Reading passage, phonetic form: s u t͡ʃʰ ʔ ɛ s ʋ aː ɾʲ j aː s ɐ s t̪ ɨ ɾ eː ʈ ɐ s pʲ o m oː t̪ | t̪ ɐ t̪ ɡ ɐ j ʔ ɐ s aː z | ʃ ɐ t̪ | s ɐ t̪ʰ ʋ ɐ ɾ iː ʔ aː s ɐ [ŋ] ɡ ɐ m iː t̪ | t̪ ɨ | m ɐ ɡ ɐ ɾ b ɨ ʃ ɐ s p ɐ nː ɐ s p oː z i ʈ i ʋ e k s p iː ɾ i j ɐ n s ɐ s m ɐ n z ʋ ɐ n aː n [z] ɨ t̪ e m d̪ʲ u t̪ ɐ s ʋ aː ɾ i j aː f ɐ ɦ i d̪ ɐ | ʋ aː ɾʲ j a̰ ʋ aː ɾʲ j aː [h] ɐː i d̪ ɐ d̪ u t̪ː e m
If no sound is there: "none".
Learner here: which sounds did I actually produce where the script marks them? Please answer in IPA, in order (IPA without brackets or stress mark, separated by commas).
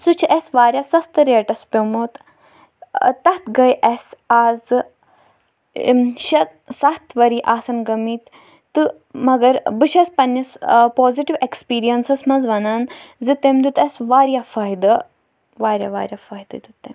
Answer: n, z, f